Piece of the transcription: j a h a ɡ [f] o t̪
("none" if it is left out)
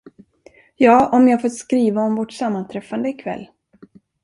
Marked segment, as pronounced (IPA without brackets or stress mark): f